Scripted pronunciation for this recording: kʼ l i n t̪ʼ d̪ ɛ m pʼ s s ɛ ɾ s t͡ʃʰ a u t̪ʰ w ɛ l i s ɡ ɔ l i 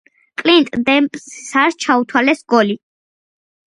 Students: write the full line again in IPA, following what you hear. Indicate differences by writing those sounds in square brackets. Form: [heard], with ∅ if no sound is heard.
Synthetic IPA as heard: kʼ l i n t̪ʼ d̪ ɛ m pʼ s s [a] ɾ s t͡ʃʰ a u t̪ʰ w [a] l [ɛ] s ɡ ɔ l i